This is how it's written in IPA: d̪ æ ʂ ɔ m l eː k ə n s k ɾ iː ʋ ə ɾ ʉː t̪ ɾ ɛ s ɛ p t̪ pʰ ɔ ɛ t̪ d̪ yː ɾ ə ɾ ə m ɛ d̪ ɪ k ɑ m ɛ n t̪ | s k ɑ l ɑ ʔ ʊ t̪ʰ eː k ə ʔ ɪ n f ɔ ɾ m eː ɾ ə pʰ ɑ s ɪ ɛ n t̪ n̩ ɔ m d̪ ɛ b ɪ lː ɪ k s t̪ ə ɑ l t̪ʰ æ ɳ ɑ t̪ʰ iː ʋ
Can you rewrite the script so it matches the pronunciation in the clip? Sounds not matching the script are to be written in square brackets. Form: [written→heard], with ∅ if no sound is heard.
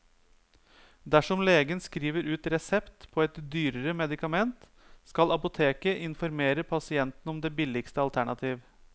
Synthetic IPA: d̪ æ ʂ ɔ m l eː [k→ɡ] ə n s k ɾ iː ʋ ə ɾ ʉː t̪ ɾ ɛ s ɛ p t̪ pʰ ɔ ɛ t̪ d̪ yː ɾ ə ɾ ə m ɛ d̪ ɪ k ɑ m ɛ n t̪ | s k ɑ l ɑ [ʔ→p] ʊ t̪ʰ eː k ə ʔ ɪ n f ɔ ɾ m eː ɾ ə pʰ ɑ s ɪ ɛ n t̪ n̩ ɔ m d̪ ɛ b ɪ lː ɪ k s t̪ ə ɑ l t̪ʰ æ ɳ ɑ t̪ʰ iː ʋ